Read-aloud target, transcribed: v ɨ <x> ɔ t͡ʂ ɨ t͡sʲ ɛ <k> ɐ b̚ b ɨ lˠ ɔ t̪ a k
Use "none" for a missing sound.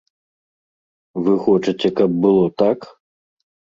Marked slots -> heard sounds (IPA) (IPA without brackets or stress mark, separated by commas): x, k